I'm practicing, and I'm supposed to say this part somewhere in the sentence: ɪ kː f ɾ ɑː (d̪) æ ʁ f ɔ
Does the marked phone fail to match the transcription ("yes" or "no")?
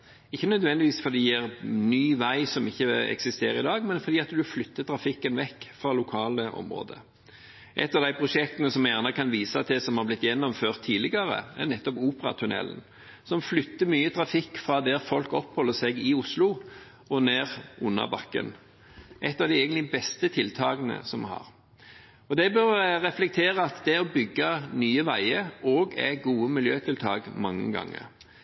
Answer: no